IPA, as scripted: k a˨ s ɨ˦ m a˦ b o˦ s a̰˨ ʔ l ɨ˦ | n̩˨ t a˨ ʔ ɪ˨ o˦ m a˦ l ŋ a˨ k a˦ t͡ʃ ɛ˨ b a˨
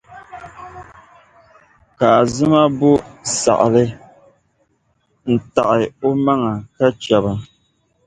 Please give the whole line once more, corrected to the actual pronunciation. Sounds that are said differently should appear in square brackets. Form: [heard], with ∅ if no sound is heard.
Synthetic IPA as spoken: k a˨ [z] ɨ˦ m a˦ b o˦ s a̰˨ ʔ l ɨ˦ | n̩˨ t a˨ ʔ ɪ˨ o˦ m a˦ [∅] ŋ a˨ k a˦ t͡ʃ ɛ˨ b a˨